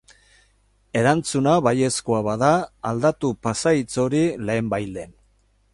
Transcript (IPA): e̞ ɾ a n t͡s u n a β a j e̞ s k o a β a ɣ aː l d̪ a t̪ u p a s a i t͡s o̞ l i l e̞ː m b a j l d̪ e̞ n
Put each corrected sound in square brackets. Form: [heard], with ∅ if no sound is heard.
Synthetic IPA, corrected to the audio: e̞ ɾ a n t͡s u n a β a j e̞ s k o a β a [ð] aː l d̪ a t̪ u p a s a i t͡s o̞ [ɾ] i l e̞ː m b a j l d̪ e̞ n